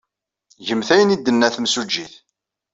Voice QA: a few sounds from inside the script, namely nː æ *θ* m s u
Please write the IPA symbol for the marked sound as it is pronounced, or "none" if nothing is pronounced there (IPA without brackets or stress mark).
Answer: θ